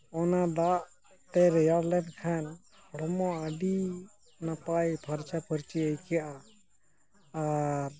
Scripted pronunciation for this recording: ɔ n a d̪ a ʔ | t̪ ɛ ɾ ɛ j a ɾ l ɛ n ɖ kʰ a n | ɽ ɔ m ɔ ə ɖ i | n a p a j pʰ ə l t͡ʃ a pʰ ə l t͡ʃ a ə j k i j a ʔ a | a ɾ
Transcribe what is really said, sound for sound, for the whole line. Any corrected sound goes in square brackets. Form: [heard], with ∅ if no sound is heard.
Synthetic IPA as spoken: ɔ n a d̪ a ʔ | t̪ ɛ ɾ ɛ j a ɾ l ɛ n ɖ kʰ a n | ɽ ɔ m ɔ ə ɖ i | n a p a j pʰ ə [ɾ] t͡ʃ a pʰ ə [ɾ] t͡ʃ [i] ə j k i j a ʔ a | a ɾ